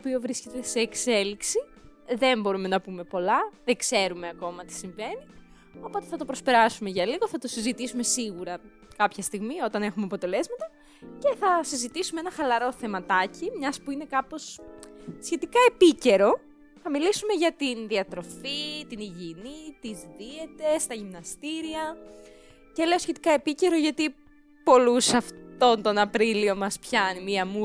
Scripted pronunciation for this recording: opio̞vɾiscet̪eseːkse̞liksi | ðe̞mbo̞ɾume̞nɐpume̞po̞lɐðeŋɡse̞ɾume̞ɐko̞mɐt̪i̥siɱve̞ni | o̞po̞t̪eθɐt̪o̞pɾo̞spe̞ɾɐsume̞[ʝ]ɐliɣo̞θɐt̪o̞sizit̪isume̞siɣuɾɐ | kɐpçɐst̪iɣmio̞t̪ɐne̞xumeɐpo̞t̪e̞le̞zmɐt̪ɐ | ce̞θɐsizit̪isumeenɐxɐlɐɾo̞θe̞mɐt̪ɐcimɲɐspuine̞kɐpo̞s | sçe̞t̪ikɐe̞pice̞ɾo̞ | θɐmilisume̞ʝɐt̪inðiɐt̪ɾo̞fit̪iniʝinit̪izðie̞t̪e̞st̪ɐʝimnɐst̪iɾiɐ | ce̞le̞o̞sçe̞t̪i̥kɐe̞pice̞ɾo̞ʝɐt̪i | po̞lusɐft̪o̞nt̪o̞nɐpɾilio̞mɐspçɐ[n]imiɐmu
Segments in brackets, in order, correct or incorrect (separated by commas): correct, correct